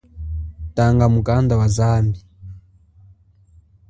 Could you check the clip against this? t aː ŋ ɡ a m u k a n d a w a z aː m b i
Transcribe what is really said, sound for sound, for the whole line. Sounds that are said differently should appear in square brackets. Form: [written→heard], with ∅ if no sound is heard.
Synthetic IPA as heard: t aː ŋ ɡ a m u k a n d a w a z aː m b i